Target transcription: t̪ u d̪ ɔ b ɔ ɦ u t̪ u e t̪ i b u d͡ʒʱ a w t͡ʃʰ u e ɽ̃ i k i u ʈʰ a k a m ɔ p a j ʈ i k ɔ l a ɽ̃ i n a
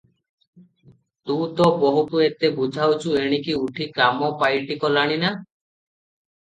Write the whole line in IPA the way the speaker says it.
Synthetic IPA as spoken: t̪ u t̪ ɔ b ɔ ɦ u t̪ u e t̪ e b u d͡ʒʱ a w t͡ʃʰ u e ɽ̃ i k i u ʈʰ i k a m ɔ p a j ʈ i k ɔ l a ɽ̃ i n a